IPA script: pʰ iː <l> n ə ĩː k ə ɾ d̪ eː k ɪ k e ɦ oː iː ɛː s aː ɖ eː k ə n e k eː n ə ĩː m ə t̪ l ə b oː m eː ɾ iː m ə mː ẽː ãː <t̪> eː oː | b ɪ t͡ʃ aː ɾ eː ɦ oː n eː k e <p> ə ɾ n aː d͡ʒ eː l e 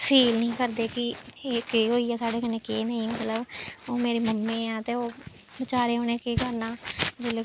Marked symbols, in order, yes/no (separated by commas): yes, yes, no